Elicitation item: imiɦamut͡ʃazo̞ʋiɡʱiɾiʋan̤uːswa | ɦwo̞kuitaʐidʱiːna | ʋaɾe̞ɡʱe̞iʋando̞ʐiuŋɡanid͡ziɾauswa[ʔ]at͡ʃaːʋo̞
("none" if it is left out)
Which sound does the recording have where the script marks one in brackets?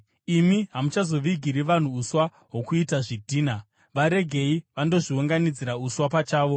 p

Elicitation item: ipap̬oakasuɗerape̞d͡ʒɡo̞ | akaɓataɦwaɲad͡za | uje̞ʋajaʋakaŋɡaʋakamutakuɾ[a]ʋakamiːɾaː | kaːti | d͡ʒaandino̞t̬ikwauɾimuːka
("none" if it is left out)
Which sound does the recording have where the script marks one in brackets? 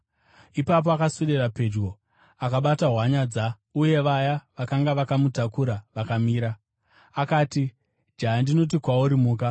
a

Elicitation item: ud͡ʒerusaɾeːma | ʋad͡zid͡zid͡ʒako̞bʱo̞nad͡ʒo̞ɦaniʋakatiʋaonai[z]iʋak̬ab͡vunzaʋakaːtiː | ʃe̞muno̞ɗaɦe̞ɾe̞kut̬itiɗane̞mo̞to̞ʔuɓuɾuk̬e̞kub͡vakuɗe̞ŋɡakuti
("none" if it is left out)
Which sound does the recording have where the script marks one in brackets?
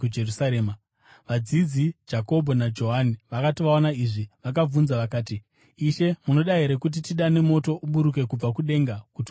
ʐ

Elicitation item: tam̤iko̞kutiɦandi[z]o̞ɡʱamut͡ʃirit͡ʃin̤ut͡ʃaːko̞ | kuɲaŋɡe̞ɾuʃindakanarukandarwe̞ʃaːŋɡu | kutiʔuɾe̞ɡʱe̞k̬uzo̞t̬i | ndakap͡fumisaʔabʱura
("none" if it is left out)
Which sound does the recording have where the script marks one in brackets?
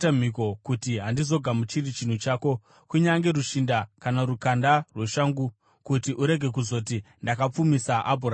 z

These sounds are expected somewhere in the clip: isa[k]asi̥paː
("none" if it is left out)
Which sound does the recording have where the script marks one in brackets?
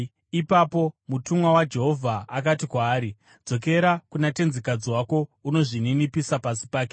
p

